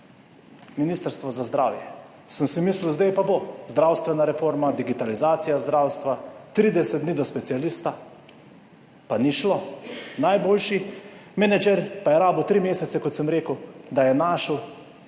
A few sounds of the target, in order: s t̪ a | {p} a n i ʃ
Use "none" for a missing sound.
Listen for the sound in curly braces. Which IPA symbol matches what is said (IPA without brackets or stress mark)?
p